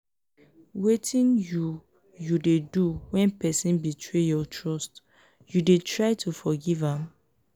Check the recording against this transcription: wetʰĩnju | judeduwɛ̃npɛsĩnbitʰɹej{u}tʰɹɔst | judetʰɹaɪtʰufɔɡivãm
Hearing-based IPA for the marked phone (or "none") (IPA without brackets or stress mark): ɔ